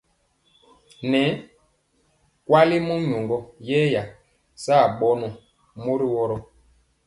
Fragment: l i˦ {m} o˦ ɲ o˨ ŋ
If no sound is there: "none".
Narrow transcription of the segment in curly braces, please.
m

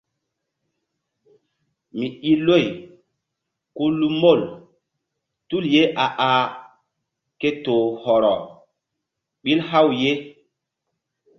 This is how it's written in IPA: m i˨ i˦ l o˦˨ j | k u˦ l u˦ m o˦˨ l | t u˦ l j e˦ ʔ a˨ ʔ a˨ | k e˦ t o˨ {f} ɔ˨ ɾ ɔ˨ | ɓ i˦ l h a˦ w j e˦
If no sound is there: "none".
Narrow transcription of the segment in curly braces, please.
h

